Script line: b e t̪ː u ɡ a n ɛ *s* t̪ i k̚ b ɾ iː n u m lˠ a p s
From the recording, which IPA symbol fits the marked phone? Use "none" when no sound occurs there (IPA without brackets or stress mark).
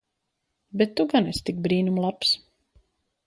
s